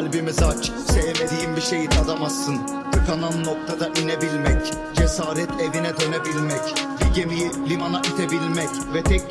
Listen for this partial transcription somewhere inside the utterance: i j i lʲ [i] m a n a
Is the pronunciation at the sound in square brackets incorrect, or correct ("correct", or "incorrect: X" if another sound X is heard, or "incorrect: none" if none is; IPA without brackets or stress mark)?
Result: correct